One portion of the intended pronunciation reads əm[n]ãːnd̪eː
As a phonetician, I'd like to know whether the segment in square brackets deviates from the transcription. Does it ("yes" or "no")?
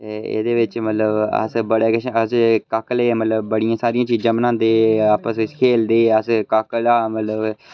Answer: no